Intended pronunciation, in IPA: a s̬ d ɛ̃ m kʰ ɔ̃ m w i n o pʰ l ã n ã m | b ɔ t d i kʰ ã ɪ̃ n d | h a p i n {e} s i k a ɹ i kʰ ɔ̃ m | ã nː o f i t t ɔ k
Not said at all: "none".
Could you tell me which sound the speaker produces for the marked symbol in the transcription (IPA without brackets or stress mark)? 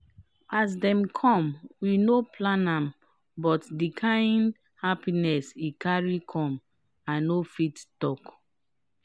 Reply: ɛ